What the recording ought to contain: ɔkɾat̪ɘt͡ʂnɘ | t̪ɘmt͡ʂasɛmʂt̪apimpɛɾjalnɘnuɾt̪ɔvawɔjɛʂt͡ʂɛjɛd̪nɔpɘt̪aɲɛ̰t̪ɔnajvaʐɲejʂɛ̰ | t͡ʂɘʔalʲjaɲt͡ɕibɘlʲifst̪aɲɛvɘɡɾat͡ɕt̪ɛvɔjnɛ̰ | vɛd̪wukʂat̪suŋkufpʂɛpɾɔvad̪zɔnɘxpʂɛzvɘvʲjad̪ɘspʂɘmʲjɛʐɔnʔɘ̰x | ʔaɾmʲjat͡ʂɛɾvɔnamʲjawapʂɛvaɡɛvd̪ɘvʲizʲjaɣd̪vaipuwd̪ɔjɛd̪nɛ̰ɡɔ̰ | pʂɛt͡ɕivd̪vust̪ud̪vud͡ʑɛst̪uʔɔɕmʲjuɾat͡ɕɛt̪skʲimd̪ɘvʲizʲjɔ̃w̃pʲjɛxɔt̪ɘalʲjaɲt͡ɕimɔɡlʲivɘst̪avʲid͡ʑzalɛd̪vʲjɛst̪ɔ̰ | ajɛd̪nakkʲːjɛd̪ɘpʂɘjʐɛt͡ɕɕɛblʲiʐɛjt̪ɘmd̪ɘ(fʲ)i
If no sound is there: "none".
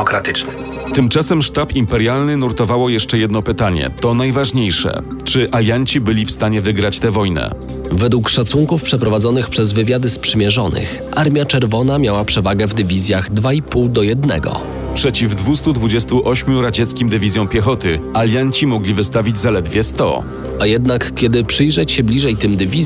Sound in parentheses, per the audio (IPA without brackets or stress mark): vʲ